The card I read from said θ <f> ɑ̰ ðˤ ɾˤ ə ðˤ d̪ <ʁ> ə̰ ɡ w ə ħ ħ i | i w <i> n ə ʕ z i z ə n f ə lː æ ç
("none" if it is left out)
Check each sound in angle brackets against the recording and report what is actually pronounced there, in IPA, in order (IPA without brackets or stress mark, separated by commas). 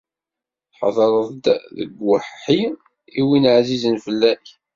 ħ, ð, i